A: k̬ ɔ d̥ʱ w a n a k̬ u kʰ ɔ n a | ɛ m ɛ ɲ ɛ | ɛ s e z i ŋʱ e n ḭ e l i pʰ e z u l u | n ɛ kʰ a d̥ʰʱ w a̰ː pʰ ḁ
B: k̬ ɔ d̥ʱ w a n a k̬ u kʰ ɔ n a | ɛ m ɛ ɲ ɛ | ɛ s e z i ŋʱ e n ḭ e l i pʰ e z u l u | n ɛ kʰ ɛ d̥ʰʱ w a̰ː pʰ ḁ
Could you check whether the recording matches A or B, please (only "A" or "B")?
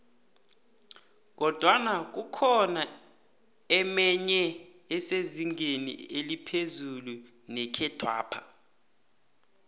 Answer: B